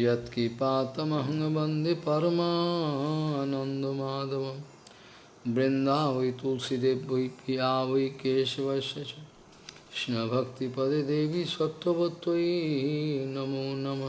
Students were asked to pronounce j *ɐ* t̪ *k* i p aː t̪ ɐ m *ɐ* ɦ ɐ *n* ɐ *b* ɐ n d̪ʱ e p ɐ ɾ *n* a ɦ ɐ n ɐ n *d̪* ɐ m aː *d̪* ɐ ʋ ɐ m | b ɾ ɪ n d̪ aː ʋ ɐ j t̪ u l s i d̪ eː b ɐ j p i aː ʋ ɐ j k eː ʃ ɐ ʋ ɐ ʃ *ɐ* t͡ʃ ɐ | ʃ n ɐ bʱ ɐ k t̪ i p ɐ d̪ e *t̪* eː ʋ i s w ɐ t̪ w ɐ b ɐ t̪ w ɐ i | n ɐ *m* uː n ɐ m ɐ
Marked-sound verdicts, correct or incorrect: correct, correct, correct, incorrect: ŋ, correct, incorrect: m, correct, correct, correct, incorrect: d̪, correct

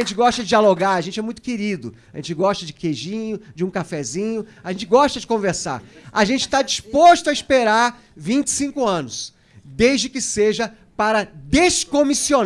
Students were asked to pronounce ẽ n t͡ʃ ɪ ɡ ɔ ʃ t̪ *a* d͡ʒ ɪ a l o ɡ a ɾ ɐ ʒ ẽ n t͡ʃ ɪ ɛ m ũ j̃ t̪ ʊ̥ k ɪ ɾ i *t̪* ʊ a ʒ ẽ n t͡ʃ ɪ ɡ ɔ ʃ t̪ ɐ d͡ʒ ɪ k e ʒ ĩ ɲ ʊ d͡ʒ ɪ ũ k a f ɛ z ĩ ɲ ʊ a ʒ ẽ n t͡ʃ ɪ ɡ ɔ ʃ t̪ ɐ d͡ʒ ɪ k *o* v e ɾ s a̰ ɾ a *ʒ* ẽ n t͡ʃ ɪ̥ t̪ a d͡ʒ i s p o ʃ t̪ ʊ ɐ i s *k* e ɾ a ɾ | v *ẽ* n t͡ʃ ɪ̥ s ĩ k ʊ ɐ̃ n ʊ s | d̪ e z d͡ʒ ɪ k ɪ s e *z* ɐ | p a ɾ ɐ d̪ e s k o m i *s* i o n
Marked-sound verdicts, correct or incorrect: incorrect: ɐ, incorrect: d̪, incorrect: õ, correct, incorrect: p, incorrect: ĩ, incorrect: ʒ, correct

